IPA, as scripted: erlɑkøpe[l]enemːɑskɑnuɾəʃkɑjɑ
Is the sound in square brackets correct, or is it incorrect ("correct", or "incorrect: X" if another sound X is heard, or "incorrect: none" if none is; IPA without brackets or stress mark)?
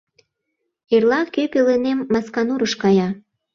correct